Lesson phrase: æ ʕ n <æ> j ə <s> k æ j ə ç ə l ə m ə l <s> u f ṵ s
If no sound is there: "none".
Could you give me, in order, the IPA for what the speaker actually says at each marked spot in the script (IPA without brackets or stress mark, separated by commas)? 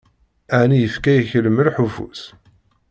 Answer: i, f, ħ